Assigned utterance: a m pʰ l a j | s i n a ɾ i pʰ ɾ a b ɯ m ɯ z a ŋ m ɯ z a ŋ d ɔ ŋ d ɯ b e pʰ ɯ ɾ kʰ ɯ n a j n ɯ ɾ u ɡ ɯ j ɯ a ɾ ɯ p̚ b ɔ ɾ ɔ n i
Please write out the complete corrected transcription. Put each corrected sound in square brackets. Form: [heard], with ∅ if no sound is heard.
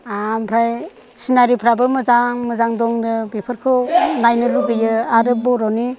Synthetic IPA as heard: a m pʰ [ɾ] a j | s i n a ɾ i pʰ ɾ a b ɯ m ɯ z a ŋ m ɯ z a ŋ d ɔ ŋ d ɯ b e pʰ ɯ ɾ kʰ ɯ n a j n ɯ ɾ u ɡ ɯ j ɯ a ɾ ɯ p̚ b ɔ ɾ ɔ n i

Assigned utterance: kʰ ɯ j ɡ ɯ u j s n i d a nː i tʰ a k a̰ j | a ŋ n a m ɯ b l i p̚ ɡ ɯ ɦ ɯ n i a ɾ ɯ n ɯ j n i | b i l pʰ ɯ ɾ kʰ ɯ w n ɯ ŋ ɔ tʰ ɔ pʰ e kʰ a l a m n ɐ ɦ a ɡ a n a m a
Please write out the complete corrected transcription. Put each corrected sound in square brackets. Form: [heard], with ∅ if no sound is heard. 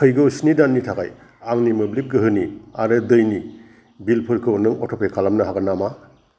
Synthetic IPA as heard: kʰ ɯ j ɡ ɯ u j s n i d a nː i tʰ a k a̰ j | a ŋ n [i] m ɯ b l i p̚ ɡ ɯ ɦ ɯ n i a ɾ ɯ [d] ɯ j n i | b i l pʰ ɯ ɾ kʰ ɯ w n ɯ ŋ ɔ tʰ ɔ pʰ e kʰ a l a m n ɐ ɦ a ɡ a n a m a

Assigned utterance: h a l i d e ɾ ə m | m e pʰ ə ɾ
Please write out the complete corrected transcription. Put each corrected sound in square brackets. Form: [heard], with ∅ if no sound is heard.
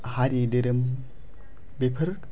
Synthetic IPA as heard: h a [ɾ] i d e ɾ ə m | [b] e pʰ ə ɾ

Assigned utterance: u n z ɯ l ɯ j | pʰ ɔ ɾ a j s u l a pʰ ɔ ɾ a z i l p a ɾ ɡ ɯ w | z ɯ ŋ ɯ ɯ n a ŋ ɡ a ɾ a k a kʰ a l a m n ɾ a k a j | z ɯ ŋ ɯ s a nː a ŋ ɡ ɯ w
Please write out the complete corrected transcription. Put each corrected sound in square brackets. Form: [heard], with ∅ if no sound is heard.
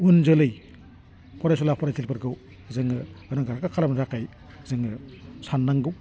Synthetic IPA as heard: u n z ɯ l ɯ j | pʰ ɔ ɾ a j s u l a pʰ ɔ ɾ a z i l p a ɾ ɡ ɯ w | z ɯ ŋ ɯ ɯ n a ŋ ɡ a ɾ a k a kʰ a l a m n ɾ a k a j | z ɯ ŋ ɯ s a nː a ŋ ɡ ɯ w

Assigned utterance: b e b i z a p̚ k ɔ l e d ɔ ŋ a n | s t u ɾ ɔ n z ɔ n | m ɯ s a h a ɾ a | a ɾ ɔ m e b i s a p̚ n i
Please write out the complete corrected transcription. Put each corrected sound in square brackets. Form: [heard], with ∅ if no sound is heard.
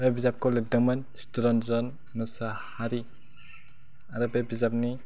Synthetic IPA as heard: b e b i z a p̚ k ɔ l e d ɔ [m] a n | s t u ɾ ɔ n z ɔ n | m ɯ s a h a ɾ [i] | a ɾ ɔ [b] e b i [z] a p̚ n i

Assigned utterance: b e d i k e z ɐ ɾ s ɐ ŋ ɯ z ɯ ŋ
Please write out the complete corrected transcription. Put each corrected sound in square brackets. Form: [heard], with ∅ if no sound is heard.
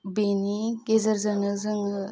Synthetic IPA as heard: b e [n] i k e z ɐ ɾ [z] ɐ [n] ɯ z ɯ ŋ

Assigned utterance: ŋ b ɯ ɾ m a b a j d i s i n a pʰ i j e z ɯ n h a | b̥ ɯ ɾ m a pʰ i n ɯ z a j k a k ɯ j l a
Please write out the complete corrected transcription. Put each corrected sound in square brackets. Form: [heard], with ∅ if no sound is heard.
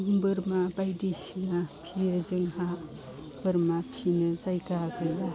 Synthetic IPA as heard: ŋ b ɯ ɾ m a b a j d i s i n a pʰ i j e z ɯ [ŋ] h a | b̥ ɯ ɾ m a pʰ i n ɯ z a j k a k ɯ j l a

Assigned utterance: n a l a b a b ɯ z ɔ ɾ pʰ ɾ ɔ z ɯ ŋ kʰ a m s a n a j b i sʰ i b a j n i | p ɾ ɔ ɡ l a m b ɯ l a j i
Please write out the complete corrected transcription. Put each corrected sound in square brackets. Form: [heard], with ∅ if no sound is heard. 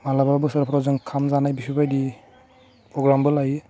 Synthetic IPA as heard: [m] a l a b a b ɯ [s] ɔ ɾ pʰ ɾ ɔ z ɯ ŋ kʰ a m [z] a n a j b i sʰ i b a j [d] i | p ɾ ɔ ɡ [ɾ] a m b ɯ l a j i

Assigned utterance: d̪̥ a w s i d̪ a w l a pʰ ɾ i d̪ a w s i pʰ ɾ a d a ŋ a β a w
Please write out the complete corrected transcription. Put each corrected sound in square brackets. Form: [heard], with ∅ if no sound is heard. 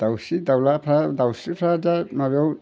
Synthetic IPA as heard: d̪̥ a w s i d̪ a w l a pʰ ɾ [a] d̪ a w s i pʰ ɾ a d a [m] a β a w

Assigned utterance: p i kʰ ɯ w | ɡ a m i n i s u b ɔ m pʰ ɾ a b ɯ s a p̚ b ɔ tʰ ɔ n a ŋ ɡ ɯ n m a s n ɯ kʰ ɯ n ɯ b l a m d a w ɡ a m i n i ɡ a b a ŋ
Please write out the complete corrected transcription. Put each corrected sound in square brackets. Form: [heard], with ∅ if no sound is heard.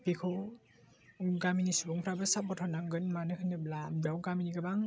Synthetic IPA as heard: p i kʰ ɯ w | ɡ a m i n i s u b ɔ [ŋ] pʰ ɾ a b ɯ s a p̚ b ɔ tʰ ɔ n a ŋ ɡ ɯ n m a [∅] n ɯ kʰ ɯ n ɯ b l a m d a w ɡ a m i n i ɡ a b a ŋ

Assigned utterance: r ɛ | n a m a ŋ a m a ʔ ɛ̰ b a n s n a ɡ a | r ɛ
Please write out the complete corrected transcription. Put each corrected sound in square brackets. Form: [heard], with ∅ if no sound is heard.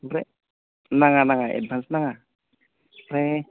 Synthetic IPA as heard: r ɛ | n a [ŋ] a [n] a [ŋ] a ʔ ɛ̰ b a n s n a [ŋ] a | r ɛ

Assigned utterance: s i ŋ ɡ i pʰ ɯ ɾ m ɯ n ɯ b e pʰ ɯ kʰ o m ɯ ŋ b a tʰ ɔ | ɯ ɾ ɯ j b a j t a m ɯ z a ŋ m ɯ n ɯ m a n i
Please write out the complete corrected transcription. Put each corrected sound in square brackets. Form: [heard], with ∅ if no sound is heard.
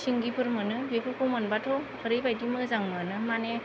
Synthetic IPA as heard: s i ŋ ɡ i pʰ ɯ ɾ m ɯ n ɯ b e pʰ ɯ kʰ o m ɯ [n] b a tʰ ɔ | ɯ ɾ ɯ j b a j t [i] m ɯ z a ŋ m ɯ n ɯ m a n [e]

